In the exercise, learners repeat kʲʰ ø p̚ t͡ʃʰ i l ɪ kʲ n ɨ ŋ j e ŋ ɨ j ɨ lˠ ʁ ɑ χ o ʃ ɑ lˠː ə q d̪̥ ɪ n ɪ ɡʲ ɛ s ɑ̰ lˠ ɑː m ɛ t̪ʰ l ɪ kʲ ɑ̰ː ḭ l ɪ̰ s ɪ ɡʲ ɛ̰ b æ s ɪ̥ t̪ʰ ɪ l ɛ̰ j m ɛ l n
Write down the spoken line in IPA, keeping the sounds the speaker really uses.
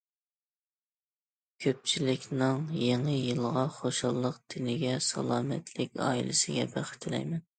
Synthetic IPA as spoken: kʲʰ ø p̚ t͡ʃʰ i l ɪ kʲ n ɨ ŋ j e ŋ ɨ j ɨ lˠ ʁ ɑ χ o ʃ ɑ lˠː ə q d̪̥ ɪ n ɪ ɡʲ ɛ s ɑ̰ lˠ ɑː m ɛ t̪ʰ l ɪ kʲ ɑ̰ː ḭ l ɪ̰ s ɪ ɡʲ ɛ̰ b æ χ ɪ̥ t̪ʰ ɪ l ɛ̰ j m ɛ n